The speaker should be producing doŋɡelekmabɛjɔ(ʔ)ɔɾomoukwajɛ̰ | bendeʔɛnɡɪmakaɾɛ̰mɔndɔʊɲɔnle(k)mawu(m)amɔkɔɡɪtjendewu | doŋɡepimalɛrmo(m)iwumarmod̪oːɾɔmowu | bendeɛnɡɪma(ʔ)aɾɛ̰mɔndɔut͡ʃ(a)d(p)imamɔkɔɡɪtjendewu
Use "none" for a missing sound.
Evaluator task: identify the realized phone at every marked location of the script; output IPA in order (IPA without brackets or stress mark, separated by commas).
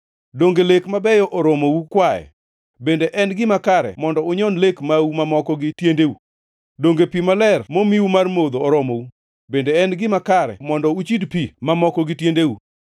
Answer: ʔ, k, m, m, k, i, p